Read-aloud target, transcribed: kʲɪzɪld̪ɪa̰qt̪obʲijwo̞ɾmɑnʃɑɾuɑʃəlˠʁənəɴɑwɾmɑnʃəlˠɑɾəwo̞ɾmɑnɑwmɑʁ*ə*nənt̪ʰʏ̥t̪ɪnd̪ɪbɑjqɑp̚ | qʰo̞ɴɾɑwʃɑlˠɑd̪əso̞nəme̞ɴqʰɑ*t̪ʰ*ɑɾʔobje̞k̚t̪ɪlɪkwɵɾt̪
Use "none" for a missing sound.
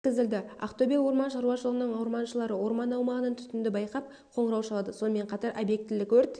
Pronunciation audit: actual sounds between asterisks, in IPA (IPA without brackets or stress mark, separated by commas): ə, t̪